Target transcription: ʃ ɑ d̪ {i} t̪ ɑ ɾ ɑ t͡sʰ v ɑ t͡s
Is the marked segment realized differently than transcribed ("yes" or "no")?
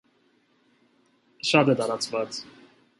yes